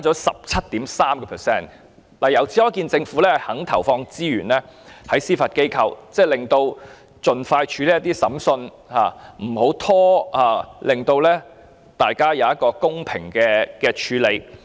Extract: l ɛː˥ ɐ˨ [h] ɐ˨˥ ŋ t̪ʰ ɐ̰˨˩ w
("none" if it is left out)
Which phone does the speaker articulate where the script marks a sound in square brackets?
h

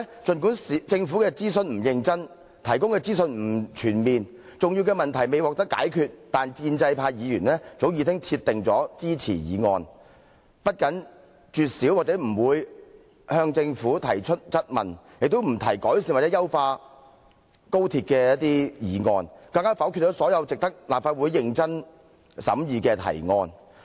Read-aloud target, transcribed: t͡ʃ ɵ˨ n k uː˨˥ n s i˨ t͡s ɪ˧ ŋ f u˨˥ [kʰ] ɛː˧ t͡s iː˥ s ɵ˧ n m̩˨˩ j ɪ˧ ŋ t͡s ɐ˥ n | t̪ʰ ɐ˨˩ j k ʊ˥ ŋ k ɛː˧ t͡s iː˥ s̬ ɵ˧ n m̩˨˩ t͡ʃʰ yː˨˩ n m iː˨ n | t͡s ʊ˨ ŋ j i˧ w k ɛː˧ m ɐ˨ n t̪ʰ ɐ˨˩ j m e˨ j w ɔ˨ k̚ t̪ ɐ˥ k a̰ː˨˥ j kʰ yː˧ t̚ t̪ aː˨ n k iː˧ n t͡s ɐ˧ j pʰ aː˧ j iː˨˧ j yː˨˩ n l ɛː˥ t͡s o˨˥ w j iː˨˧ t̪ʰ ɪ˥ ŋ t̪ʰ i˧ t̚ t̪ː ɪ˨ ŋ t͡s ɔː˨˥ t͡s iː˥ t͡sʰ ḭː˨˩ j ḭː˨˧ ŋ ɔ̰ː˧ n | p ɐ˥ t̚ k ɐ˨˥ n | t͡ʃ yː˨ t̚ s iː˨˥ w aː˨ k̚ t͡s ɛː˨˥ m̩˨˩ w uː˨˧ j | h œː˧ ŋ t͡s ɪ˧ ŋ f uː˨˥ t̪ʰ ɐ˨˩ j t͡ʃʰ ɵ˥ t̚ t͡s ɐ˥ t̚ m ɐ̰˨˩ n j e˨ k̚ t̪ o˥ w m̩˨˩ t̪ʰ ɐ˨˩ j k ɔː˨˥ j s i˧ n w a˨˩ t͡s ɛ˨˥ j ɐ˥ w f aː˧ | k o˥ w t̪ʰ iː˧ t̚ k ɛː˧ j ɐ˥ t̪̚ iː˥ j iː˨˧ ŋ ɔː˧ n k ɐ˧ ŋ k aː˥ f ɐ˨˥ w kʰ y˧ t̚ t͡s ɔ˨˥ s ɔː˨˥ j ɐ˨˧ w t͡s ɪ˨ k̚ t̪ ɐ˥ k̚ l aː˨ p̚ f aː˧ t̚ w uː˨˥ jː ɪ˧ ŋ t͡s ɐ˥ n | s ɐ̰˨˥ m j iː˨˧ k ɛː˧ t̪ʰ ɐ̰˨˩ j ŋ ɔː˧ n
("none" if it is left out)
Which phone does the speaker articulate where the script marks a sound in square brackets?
k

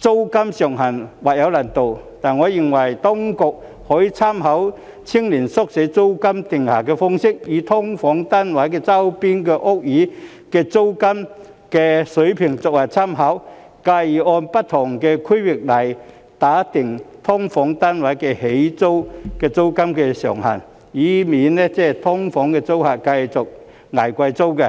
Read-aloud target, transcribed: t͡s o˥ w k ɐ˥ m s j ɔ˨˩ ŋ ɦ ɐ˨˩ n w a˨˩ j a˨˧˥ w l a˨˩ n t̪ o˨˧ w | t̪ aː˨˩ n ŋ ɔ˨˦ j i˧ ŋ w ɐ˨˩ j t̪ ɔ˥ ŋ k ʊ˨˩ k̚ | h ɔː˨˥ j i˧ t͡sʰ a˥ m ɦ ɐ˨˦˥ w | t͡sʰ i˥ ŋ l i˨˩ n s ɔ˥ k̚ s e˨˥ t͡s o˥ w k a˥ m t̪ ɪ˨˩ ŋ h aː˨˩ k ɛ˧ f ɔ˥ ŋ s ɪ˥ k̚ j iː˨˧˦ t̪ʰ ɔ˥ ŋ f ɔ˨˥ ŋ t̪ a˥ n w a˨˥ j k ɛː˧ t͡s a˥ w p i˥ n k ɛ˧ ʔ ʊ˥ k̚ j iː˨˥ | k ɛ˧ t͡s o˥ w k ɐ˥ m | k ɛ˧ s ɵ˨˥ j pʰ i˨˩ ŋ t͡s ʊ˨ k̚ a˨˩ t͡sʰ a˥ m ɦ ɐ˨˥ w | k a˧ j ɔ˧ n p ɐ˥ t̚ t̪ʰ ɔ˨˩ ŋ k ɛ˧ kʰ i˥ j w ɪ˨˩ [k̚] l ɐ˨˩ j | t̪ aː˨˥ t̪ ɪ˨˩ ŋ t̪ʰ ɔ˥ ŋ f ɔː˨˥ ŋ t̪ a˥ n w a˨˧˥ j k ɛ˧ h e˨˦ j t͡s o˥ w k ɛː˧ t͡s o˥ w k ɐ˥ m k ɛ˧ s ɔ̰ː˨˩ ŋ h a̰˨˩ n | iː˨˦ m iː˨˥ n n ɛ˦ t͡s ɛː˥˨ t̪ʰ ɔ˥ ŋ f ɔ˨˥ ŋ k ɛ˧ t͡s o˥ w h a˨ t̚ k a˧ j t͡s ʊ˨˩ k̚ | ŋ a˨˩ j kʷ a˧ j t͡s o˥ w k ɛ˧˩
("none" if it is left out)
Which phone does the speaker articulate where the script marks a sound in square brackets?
k̚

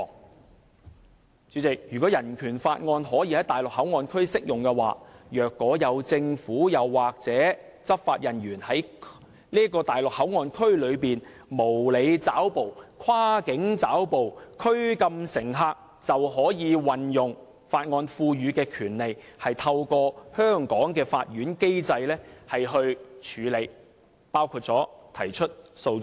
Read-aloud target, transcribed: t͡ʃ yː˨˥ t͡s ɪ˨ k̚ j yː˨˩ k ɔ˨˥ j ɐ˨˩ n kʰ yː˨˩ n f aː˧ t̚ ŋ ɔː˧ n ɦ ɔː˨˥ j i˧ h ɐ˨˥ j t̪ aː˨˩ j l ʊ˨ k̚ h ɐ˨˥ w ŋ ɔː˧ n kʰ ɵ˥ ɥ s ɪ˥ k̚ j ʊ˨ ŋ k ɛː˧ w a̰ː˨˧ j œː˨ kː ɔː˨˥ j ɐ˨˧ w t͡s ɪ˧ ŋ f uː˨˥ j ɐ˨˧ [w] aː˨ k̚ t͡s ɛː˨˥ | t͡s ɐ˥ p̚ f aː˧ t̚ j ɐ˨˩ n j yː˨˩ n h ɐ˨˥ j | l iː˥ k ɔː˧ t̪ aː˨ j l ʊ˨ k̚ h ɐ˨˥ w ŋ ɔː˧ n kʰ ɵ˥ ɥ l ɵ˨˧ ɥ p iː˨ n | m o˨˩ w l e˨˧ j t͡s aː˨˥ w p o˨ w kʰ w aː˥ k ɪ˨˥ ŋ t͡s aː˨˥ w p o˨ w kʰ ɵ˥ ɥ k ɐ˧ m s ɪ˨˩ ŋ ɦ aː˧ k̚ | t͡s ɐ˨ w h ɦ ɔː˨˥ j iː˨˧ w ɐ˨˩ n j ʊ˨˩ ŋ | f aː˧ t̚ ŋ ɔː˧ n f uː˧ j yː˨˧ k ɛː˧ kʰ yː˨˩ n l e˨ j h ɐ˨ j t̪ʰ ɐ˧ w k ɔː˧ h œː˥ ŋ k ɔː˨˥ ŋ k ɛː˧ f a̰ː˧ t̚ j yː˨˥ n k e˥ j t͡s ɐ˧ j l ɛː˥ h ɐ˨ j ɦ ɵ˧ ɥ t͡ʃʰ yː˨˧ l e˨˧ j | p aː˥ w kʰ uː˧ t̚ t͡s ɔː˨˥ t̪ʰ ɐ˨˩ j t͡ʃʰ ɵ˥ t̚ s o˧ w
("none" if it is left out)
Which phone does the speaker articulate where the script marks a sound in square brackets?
wː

